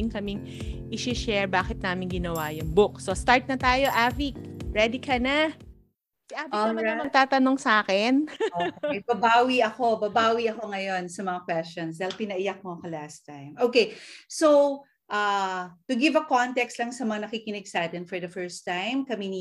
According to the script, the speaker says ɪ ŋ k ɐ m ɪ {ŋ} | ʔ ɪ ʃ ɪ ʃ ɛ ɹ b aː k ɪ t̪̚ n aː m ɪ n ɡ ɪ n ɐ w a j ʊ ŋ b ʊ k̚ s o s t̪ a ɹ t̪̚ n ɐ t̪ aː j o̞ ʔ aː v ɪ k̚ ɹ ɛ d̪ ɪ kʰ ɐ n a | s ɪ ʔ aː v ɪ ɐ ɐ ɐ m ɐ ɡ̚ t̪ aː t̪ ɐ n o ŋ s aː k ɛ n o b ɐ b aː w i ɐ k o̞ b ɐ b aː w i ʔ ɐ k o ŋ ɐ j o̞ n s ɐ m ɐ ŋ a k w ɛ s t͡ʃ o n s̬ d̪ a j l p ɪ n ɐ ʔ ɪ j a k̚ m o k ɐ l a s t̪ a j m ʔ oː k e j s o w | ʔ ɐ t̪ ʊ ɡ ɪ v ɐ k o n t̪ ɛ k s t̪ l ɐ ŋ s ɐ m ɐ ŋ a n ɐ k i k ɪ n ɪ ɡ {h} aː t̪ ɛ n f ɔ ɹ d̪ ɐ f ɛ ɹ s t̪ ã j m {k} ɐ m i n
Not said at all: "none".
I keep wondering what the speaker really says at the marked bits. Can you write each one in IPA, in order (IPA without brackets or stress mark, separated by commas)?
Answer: ŋ, s, k